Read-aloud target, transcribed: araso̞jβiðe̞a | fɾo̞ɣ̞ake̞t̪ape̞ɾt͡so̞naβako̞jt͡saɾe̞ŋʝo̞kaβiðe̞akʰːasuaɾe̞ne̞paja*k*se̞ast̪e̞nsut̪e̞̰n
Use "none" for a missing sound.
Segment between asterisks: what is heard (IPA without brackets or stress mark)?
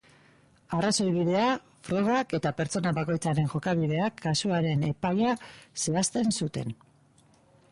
none